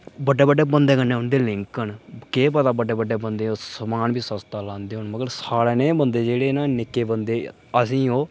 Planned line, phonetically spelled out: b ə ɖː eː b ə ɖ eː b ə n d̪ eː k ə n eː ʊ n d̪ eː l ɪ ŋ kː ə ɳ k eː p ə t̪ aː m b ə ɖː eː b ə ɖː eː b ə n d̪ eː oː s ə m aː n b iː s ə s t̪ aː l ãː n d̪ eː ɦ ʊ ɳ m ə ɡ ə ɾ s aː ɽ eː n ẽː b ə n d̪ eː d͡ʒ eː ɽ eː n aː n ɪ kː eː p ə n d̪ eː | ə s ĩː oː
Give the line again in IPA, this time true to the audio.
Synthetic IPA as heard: b ə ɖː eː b ə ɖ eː b ə n d̪ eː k ə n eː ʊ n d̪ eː l ɪ ŋ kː ə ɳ k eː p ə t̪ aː b ə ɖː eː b ə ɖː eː b ə n d̪ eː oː s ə m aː n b iː s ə s t̪ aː l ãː n d̪ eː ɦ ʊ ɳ m ə ɡ ə ɾ s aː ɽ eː n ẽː b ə n d̪ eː d͡ʒ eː ɽ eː n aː n ɪ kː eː b ə n d̪ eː | ə s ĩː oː